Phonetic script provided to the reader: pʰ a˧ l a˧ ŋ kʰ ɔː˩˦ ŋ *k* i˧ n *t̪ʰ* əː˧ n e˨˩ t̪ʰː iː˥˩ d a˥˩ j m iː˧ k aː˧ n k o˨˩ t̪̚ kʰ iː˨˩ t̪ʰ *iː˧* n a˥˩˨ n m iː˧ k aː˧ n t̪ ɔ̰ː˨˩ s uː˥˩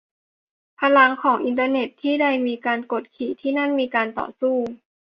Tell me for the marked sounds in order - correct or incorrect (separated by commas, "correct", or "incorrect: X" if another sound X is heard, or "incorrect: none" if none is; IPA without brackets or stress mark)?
incorrect: ʔ, incorrect: t̪, incorrect: iː˥˩